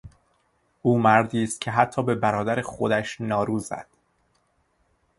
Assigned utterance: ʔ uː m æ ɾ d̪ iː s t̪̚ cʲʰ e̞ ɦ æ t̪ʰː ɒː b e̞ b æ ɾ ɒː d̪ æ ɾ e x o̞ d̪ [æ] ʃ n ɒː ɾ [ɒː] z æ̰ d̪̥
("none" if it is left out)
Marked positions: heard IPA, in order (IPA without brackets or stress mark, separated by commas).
æ, uː